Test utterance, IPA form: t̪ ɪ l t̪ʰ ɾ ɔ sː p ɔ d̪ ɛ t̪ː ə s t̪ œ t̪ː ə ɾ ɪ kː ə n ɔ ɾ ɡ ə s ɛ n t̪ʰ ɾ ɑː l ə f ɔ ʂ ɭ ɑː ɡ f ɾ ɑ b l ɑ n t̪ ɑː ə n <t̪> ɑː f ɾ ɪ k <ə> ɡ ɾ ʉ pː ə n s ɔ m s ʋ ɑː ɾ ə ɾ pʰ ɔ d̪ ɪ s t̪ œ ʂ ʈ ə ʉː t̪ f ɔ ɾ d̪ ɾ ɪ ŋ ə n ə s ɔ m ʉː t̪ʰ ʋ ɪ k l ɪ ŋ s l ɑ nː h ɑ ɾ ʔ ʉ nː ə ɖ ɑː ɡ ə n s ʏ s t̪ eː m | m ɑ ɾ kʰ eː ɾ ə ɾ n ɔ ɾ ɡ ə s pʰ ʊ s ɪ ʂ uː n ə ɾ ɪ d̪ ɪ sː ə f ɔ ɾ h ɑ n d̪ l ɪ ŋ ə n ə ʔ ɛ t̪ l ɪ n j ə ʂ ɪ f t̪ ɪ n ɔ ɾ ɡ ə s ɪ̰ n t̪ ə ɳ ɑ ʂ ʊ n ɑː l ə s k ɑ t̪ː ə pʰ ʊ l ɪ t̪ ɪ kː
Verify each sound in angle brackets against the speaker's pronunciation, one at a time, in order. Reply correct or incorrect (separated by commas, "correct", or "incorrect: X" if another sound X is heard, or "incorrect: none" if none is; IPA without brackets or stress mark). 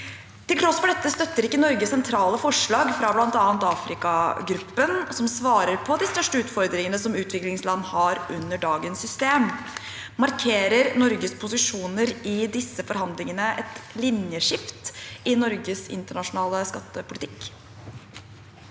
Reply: correct, incorrect: ɑ